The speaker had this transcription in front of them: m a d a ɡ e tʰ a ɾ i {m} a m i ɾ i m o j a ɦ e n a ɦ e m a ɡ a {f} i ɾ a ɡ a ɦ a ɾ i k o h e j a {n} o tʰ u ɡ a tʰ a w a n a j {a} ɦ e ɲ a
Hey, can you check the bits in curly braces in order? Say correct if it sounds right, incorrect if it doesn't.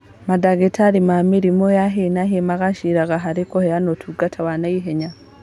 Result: correct, incorrect: ʃ, correct, incorrect: i

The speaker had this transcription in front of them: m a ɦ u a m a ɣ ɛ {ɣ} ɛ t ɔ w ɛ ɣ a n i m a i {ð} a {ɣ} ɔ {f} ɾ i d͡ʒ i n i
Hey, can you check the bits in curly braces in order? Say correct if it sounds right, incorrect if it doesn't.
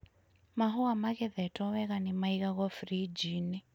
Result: incorrect: ð, incorrect: ɣ, correct, correct

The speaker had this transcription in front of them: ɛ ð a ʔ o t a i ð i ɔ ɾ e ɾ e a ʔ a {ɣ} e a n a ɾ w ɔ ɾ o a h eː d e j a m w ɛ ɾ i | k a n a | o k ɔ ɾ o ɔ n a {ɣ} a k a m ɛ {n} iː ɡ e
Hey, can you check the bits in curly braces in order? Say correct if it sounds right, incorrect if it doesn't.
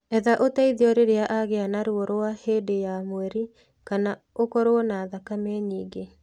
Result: correct, incorrect: ð, incorrect: ɲ

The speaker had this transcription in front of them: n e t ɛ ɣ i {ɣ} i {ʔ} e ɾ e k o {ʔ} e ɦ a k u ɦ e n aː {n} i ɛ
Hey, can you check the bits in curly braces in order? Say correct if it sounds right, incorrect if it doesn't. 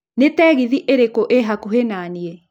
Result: incorrect: ð, correct, correct, correct

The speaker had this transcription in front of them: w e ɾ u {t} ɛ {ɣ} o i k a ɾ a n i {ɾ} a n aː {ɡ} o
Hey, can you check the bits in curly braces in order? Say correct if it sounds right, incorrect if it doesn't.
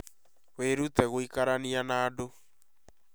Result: correct, correct, incorrect: none, incorrect: d

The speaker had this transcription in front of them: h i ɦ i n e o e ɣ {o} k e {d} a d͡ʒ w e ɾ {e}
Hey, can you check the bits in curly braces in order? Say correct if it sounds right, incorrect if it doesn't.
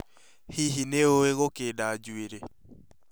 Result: correct, correct, correct

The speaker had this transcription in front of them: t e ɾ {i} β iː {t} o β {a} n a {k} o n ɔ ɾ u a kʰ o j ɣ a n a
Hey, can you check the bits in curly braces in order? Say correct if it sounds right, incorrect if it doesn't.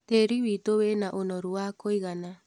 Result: correct, correct, incorrect: e, incorrect: ʔ

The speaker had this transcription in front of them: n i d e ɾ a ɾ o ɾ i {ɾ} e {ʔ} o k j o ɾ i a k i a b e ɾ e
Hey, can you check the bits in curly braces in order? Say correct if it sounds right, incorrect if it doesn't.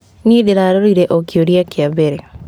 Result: correct, correct

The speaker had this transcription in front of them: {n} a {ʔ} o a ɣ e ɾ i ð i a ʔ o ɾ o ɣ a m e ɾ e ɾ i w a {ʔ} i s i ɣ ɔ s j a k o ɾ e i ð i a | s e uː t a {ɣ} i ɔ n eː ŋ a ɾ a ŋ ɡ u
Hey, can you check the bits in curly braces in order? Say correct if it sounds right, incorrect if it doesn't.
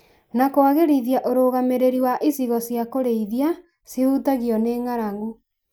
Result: correct, incorrect: k, correct, correct

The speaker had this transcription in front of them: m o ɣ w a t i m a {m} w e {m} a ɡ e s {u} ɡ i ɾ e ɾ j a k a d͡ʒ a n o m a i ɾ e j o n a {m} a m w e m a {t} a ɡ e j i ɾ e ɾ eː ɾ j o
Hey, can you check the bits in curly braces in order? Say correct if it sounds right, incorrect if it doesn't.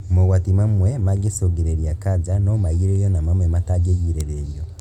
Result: correct, correct, incorrect: o, correct, correct

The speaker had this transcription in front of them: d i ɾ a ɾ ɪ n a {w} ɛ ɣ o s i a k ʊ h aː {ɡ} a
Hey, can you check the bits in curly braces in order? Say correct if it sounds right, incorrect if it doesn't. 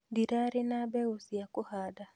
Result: incorrect: b, incorrect: d

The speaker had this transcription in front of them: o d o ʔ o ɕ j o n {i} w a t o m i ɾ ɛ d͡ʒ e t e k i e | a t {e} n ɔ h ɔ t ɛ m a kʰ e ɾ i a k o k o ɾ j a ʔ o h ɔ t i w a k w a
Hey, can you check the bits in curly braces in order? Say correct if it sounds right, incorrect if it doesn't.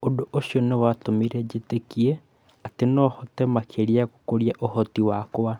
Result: incorrect: e, correct

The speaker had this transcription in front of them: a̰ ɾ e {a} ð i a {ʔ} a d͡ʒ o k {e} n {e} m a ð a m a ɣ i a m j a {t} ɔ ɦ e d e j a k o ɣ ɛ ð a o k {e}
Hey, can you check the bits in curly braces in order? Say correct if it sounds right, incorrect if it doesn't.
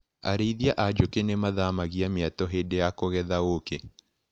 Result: incorrect: i, correct, correct, correct, correct, correct

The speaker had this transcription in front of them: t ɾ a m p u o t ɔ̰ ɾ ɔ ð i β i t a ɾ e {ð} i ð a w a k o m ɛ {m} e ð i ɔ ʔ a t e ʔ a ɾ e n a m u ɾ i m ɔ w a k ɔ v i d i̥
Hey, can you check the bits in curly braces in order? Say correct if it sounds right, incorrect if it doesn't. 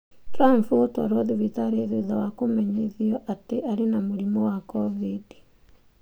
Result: correct, incorrect: ɲ

